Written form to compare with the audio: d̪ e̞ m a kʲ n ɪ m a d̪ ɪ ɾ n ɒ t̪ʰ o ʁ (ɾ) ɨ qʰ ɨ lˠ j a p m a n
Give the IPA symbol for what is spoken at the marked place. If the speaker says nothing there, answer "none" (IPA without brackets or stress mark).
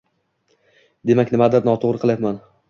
ɾ